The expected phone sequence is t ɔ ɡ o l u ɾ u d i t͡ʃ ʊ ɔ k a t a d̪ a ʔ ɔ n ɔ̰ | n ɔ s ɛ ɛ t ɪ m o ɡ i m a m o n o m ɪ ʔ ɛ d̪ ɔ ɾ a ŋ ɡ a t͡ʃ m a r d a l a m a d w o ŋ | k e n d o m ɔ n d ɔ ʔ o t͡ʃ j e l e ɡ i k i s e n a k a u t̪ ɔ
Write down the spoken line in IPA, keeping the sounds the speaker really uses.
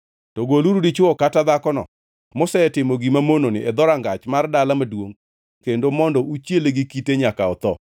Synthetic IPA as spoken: t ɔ ɡ o l u ɾ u d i t͡ʃ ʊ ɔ k a t a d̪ a k ɔ n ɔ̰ | m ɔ s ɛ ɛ t ɪ m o ɡ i m a m o n o n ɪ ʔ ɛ d̪ ɔ ɾ a ŋ ɡ a t͡ʃ m a r d a l a m a d w o ŋ | k e n d o m ɔ n d ɔ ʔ u t͡ʃ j e l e ɡ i k i t e ɲ a k a ɔ t̪ ɔ

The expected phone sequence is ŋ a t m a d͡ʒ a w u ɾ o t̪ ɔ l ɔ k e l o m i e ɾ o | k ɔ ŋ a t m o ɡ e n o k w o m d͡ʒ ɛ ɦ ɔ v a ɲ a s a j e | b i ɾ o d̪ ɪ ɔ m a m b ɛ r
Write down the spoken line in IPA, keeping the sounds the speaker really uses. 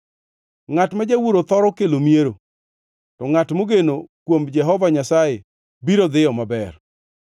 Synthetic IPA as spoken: ŋ a t m a d͡ʒ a w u ɾ o t̪ ɔ ɾ ɔ k e l o m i e ɾ o | t ɔ ŋ a t m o ɡ e n o k w o m d͡ʒ ɛ ɦ ɔ v a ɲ a s a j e | b i ɾ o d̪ ɪ ɔ m a b ɛ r

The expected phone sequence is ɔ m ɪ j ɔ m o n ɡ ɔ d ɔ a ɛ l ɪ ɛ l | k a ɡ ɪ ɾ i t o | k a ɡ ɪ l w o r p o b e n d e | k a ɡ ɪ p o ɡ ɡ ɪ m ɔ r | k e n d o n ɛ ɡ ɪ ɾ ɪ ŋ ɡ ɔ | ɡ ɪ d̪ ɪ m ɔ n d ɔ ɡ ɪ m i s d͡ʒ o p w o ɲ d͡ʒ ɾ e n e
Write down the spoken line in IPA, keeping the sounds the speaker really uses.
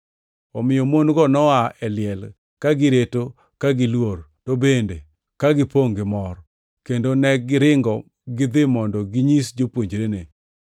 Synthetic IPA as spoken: ɔ m ɪ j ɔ m o n ɡ ɔ n ɔ a ɛ l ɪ ɛ l | k a ɡ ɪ ɾ e t o | k a ɡ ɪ l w o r t o b e n d e | k a ɡ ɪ p o ŋ ɡ ɪ m ɔ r | k e n d o n ɛ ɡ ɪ ɾ ɪ ŋ ɡ ɔ | ɡ ɪ d̪ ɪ m ɔ n d ɔ ɡ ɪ ɲ i s d͡ʒ o p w o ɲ d͡ʒ ɾ e n e

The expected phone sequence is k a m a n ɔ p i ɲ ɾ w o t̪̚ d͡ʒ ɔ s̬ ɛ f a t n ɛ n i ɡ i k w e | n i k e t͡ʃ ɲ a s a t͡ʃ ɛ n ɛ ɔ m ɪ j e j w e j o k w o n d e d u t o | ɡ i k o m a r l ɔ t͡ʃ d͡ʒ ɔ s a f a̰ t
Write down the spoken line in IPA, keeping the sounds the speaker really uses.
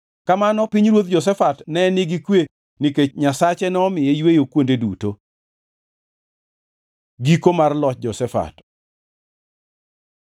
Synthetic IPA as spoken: k a m a n ɔ p i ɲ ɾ w o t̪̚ d͡ʒ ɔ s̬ ɛ f a t n ɛ n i ɡ i k w e | n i k e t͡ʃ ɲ a s a t͡ʃ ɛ n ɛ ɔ m ɪ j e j w e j o k w o n d e d u t o | ɡ i k o m a r l ɔ t͡ʃ d͡ʒ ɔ s ɛ f a̰ t

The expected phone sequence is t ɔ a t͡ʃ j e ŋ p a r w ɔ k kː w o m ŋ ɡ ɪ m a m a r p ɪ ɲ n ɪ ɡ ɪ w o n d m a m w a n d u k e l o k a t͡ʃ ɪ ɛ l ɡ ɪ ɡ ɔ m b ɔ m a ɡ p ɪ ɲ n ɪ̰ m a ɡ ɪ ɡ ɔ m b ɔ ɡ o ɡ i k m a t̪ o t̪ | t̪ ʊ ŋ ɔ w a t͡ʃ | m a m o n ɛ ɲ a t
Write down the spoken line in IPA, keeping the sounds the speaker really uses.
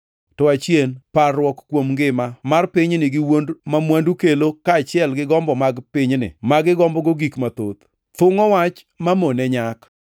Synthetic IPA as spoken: t ɔ a t͡ʃ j e n p a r w ɔ k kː w o m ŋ ɡ ɪ m a m a r p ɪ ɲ n ɪ ɡ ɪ w o n d m a m w a n d u k e l o k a t͡ʃ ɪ ɛ l ɡ ɪ ɡ ɔ m b ɔ m a ɡ p ɪ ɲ n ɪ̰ m a ɡ ɪ ɡ ɔ m b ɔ ɡ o ɡ i k m a t̪ o t̪ | t̪ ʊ ŋ ɔ w a t͡ʃ | m a m o n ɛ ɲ a k

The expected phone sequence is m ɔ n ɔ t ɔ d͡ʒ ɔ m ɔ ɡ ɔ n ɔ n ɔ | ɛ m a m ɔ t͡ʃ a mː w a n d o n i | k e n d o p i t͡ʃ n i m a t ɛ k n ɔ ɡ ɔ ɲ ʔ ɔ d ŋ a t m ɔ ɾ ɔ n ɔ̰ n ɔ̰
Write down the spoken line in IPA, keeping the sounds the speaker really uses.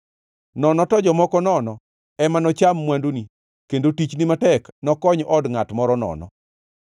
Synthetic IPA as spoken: n ɔ n ɔ t ɔ d͡ʒ ɔ m ɔ k ɔ n ɔ n ɔ | ɛ m a n ɔ t͡ʃ a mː w a n d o n i | k e n d o t i t͡ʃ n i m a t ɛ k n ɔ k ɔ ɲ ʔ ɔ d ŋ a t m ɔ ɾ ɔ n ɔ̰ n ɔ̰

